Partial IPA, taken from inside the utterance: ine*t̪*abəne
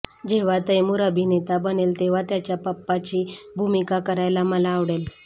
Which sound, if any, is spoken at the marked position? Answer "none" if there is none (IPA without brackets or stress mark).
t̪